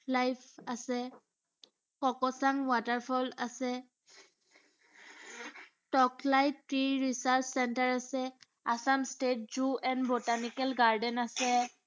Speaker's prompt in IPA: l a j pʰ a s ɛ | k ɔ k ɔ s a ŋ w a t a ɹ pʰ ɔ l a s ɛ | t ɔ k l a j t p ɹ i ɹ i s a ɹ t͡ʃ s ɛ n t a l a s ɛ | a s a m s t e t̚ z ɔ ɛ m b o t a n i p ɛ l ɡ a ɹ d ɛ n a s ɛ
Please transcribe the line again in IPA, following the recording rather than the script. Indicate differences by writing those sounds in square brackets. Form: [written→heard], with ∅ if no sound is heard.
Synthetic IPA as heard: l a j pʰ a s ɛ | k ɔ k ɔ s a ŋ w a t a ɹ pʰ ɔ l a s ɛ | t ɔ k l a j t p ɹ i ɹ i s a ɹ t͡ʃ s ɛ n t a [l→ɹ] a s ɛ | a s a m s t e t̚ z [ɔ→u] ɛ [m→n] b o t a n i [p→k] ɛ l ɡ a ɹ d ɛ n a s ɛ

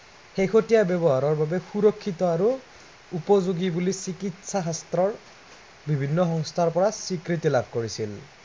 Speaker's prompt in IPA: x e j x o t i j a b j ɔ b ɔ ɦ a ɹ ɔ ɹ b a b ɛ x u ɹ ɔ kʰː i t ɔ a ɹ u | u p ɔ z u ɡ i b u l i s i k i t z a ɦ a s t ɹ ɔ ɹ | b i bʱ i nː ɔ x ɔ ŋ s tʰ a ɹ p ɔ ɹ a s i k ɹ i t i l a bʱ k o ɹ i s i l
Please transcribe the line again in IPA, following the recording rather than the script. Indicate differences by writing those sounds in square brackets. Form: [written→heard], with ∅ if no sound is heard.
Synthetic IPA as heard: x e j x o t i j a b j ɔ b ɔ ɦ a ɹ ɔ ɹ b a b ɛ x u ɹ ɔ kʰː i t ɔ a ɹ u | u p ɔ z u ɡ i b u l i s i k i t [z→s] a ɦ a s t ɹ ɔ ɹ | b i bʱ i nː ɔ x ɔ ŋ s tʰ a ɹ p ɔ ɹ a s i k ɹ i t i l a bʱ k o ɹ i s i l

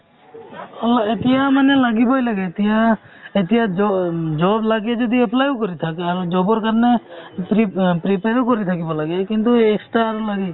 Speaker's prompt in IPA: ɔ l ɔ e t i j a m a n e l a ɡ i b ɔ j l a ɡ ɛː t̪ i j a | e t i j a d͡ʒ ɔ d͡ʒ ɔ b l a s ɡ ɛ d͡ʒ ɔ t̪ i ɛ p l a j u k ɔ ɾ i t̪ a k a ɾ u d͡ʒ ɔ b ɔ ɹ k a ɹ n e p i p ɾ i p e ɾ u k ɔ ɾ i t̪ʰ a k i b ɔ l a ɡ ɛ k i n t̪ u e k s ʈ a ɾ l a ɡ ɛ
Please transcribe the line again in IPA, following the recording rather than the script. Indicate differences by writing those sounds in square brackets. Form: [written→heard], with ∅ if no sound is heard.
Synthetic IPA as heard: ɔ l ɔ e t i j a m a n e l a ɡ i b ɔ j l a ɡ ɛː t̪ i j a | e t i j a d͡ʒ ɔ d͡ʒ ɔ b l a [s→∅] ɡ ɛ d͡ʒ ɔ [t̪→d̪] i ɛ p l a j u k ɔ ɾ i [t̪→t̪ʰ] a k a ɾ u d͡ʒ ɔ b ɔ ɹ k a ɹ n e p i p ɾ i p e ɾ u k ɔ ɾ i t̪ʰ a k i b ɔ l a ɡ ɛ k i n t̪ u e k s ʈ a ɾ l a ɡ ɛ

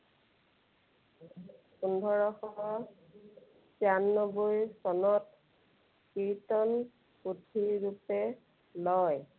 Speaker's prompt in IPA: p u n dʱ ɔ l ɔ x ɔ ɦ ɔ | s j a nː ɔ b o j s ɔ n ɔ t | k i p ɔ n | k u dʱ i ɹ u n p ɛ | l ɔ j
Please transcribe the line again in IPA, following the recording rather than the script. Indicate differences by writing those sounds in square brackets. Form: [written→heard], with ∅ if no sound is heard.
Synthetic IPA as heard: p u n dʱ ɔ [l→ɹ] ɔ x ɔ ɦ ɔ | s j a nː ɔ b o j s ɔ n ɔ t | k i [p→t] ɔ n | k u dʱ i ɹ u [n→∅] p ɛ | l ɔ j

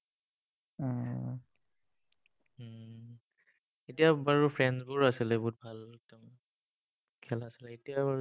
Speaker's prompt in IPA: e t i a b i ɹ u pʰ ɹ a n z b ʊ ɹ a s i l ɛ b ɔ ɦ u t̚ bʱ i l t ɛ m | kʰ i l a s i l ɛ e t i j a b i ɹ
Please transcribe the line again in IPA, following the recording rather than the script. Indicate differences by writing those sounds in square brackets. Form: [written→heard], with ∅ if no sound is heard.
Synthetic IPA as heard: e t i a b [i→a] ɹ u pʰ ɹ [a→ɛ] n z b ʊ ɹ a s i l ɛ b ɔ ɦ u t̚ bʱ [i→a] l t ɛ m | kʰ [i→ɛ] l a s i l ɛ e t i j a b [i→a] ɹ

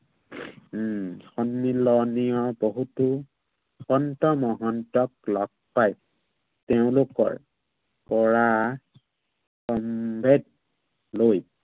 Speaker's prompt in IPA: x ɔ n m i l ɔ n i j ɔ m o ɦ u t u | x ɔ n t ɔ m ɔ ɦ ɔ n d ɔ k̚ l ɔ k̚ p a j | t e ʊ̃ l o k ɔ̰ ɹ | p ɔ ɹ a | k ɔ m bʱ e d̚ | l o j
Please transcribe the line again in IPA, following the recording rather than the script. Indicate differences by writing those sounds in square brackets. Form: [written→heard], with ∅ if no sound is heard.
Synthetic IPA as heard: x ɔ n m i l ɔ n i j ɔ [m→b] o ɦ u t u | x ɔ n t ɔ m ɔ ɦ ɔ n [d→t] ɔ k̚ l ɔ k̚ p a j | t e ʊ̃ l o k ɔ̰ ɹ | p ɔ ɹ a | k ɔ m bʱ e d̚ | l o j

